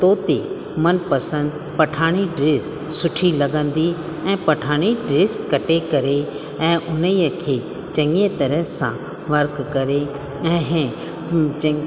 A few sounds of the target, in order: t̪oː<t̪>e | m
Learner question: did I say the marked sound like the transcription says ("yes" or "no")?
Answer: yes